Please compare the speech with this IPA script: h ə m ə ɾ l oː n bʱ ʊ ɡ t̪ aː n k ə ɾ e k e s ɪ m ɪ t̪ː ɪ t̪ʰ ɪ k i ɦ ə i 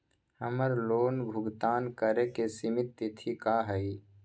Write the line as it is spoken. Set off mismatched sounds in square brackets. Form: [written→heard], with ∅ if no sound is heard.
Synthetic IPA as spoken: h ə m ə ɾ l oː n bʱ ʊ ɡ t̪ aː n k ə ɾ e k e s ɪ m ɪ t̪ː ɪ t̪ʰ [ɪ→i] k [i→a] ɦ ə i